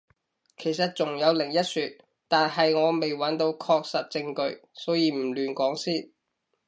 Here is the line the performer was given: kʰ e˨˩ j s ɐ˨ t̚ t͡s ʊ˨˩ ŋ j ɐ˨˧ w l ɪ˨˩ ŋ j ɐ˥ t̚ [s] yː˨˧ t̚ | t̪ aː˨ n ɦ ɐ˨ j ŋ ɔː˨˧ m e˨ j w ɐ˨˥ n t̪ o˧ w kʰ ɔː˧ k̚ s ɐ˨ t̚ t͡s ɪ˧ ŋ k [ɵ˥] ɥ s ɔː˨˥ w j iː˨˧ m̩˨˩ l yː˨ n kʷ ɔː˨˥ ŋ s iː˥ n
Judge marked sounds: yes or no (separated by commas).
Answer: yes, no